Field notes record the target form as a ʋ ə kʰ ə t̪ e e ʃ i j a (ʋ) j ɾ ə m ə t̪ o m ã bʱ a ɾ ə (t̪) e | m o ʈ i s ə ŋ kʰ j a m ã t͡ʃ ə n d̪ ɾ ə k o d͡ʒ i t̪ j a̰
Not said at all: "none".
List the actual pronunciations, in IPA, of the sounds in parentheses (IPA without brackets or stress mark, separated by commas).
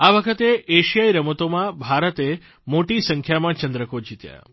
none, t̪